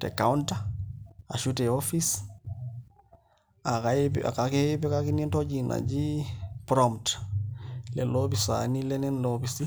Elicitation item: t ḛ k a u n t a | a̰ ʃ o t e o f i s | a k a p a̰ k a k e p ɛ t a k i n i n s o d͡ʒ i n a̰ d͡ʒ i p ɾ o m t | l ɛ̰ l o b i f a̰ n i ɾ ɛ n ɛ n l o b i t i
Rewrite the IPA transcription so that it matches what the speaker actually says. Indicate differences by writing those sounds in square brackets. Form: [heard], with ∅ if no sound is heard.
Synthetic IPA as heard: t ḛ k a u n t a | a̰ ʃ [u] t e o f i s | a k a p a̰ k a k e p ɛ [k] a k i n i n [t] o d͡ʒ i n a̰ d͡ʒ i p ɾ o m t | l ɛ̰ l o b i [s] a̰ n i [l] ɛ n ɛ n l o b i [s] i

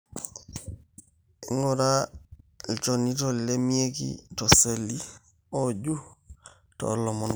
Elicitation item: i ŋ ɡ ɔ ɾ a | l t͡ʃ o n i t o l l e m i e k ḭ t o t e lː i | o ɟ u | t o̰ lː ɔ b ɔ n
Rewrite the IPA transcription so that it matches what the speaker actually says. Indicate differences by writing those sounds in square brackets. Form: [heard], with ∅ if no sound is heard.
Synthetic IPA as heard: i ŋ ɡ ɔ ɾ a | l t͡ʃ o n i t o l l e m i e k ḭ t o [s] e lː i | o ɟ u | t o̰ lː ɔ [m] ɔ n

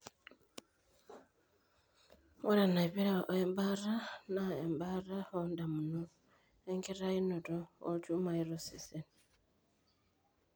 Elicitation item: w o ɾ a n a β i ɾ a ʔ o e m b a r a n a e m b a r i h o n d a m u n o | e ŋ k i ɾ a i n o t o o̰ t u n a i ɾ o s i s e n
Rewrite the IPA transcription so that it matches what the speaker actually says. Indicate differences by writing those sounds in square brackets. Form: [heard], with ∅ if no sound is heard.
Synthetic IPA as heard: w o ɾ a n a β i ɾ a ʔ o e m b a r a n a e m b a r [a] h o n d a m u n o | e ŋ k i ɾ a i n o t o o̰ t u [m] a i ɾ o s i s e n

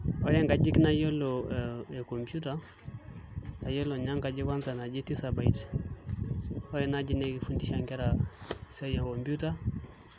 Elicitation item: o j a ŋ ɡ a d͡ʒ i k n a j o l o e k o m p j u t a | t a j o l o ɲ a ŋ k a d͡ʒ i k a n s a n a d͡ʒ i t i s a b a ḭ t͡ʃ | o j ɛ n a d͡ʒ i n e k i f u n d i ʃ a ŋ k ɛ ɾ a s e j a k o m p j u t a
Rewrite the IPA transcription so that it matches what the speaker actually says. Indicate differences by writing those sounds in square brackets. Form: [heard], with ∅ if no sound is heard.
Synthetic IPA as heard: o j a ŋ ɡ a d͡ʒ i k n a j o l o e k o m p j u t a | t a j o l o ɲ a ŋ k a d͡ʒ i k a n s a n a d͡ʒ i t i s a b a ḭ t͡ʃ | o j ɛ n a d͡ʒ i n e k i f u n d i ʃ a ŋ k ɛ ɾ a s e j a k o m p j u t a

